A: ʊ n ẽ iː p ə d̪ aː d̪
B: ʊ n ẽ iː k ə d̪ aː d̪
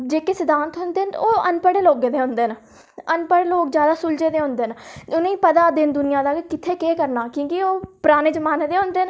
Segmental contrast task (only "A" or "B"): A